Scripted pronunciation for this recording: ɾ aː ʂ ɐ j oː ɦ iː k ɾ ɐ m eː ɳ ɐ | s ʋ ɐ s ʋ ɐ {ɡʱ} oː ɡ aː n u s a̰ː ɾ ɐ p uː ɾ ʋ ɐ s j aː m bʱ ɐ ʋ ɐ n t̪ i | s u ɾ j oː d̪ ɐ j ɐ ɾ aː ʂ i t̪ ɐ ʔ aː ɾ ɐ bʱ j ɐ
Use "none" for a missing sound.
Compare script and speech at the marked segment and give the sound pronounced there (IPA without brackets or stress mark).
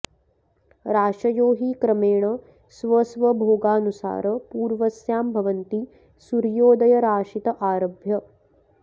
bʱ